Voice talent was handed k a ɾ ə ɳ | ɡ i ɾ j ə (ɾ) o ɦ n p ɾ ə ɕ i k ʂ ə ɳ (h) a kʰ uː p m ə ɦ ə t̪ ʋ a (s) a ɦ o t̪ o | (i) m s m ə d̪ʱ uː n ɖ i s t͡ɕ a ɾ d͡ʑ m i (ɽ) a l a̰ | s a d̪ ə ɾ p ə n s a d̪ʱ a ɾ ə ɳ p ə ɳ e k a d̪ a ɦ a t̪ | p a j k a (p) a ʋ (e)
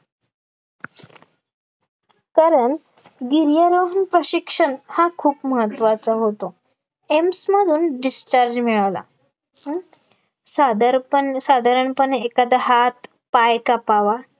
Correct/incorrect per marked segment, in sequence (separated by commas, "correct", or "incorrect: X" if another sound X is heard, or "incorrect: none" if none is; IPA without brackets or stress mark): correct, correct, incorrect: t͡s, incorrect: e, incorrect: ɭ, correct, incorrect: a